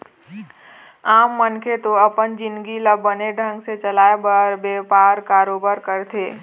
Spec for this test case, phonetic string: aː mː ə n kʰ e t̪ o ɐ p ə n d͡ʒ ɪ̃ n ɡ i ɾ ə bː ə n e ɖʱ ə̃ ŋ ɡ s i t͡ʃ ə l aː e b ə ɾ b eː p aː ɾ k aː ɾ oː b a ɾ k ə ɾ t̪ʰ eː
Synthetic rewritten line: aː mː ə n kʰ e t̪ o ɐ p ə n d͡ʒ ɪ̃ n ɡ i l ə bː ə n e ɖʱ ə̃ ŋ ɡ s e t͡ʃ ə l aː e b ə ɾ b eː p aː ɾ k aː ɾ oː b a ɾ k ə ɾ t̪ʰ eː